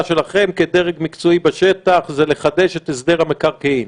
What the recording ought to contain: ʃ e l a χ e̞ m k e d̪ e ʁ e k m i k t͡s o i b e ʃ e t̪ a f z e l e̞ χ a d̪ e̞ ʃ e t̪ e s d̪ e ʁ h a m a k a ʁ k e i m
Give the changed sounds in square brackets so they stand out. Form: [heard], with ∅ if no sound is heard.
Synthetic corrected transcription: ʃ e l a χ e̞ m k e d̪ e ʁ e [ɡ] m i k t͡s o i b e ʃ e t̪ a [χ] z e l e̞ χ a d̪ e̞ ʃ e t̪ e s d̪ e ʁ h a m [e] k a ʁ k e i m